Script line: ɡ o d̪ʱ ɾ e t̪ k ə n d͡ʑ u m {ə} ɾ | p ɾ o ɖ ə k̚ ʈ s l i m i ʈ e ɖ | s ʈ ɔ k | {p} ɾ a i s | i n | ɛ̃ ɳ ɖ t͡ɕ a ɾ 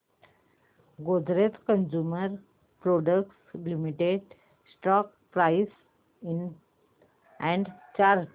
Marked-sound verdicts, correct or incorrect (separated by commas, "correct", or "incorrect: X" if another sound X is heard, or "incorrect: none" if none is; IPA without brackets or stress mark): correct, correct